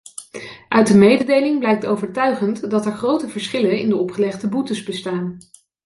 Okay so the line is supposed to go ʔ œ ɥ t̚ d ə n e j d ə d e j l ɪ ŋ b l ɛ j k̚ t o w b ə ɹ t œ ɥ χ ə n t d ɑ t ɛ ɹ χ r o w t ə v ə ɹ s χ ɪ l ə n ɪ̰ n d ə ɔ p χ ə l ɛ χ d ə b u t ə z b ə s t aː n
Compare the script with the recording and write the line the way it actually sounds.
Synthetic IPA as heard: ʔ œ ɥ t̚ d ə m e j d ə d e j l ɪ ŋ b l ɛ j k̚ t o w v ə ɹ t œ ɥ χ ə n t d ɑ t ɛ ɹ χ r o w t ə v ə ɹ s χ ɪ l ə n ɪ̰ n d ə ɔ p χ ə l ɛ χ d ə b u t ə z b ə s t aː n

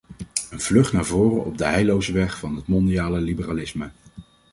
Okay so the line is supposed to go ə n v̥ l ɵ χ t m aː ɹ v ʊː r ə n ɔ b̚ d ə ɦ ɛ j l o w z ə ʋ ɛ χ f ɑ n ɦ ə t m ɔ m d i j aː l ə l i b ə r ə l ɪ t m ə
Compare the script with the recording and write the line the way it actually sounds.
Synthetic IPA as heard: ə n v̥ l ɵ χ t n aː ɹ v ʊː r ə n ɔ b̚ d ə ɦ ɛ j l o w z ə ʋ ɛ χ f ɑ n ɦ ə t m ɔ n d i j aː l ə l i b ə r a l ɪ s m ə

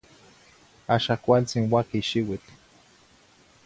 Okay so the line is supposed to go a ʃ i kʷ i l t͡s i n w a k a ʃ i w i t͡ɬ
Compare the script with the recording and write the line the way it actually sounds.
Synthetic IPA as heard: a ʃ a kʷ a l t͡s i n w a k i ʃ i w i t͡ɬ

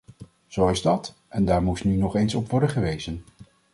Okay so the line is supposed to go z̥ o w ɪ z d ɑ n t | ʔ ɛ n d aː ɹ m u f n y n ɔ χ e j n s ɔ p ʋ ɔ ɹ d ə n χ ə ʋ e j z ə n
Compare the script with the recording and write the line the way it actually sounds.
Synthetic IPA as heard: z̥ o w ɪ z d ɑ t | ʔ ɛ n d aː ɹ m u s n y n ɔ χ e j n s ɔ p ʋ ɔ ɹ d ə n χ ə ʋ e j z ə n

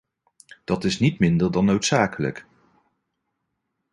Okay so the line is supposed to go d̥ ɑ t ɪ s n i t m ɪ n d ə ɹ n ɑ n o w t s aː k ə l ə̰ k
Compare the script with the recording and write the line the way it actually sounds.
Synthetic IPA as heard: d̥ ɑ t ɪ s n i t m ɪ n d ə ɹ d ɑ n o w t s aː k ə l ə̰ k

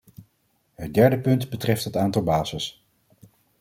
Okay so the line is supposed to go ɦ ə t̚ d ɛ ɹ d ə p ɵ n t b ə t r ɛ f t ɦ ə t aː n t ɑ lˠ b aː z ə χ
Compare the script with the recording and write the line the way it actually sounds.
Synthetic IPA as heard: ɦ ə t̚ d ɛ ɹ d ə p ɵ n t b ə t r ɛ f t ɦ ə t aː n t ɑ lˠ b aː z ə s

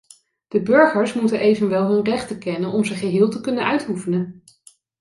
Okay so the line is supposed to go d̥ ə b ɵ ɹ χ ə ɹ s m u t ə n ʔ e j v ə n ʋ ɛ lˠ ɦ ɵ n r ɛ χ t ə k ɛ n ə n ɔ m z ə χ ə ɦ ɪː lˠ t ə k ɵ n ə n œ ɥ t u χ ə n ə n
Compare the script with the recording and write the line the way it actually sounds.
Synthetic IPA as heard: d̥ ə b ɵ ɹ χ ə ɹ s m u t ə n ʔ e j v ə n ʋ ɛ lˠ ɦ ɵ n r ɛ χ t ə k ɛ n ə n ɔ m z ə χ ə ɦ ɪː lˠ t ə k ɵ n ə n œ ɥ t u f ə n ə n

